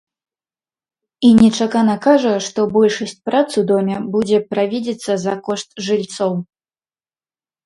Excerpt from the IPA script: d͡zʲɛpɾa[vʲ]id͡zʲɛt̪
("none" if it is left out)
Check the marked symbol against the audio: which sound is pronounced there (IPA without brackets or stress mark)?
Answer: vʲ